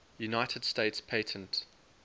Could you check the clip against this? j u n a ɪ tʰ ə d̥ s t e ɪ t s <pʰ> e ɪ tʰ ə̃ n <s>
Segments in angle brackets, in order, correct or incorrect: correct, incorrect: t

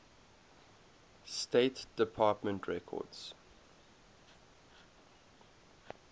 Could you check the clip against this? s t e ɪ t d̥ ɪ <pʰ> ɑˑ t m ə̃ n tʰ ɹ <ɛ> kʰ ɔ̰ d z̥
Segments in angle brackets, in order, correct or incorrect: correct, correct

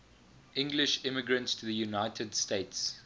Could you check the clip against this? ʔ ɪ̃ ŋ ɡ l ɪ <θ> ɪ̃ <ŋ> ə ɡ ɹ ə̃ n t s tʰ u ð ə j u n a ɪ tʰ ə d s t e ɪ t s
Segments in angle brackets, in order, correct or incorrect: incorrect: ʃ, incorrect: m

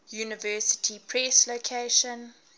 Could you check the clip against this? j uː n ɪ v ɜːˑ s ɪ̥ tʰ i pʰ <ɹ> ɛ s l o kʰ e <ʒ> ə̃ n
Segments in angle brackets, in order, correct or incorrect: correct, incorrect: ʃ

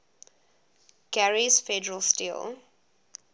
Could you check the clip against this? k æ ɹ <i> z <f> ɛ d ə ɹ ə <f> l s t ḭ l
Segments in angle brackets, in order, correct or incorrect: correct, correct, incorrect: none

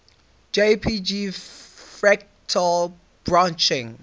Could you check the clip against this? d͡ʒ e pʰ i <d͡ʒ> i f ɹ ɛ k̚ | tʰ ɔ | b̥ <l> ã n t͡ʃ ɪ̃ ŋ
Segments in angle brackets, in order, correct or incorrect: correct, incorrect: ɹ

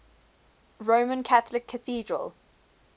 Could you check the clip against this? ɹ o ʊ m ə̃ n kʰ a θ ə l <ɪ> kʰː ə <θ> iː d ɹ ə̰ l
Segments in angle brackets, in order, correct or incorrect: correct, correct

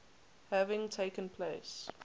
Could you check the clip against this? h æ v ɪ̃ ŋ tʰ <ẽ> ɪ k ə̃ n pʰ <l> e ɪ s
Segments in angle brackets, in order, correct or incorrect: incorrect: e, correct

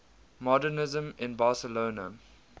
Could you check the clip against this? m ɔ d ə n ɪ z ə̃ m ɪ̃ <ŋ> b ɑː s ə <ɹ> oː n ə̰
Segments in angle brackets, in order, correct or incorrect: incorrect: n, incorrect: l

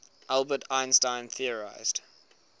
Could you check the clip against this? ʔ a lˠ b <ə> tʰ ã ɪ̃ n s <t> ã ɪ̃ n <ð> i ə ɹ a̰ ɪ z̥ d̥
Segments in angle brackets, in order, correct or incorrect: correct, correct, incorrect: θ

